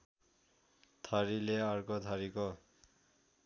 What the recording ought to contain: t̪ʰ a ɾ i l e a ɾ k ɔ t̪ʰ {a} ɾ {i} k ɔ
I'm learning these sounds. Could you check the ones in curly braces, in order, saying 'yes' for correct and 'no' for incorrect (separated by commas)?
yes, yes